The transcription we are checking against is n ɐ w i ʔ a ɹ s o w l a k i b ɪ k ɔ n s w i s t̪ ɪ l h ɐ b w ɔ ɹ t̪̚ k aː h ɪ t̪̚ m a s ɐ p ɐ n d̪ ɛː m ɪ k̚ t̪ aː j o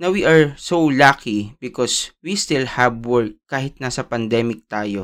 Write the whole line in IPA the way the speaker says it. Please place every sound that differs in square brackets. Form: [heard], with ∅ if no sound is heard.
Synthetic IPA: n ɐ w i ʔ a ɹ s o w l a k i b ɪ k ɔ [∅] s w i s t̪ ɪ l h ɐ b w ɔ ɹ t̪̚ k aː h ɪ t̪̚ [n] a s ɐ p ɐ n d̪ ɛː m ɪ k̚ t̪ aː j o